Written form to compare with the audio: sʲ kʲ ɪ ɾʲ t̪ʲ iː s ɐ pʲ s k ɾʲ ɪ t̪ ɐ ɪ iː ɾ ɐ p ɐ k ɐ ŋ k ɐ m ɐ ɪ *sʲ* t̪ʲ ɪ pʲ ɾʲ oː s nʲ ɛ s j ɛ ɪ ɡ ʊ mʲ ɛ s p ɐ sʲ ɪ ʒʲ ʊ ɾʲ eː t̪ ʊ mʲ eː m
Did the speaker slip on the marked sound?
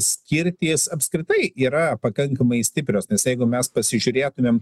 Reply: no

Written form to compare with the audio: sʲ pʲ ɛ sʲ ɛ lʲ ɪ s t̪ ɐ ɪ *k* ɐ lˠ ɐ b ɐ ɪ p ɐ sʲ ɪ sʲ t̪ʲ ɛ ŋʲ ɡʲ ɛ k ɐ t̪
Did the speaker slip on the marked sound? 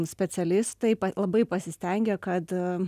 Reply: yes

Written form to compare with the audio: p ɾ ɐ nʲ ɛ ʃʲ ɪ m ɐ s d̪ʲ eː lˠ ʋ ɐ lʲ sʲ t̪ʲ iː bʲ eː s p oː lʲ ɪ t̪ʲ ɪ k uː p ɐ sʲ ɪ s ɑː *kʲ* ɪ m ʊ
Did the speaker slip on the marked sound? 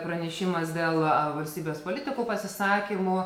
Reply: no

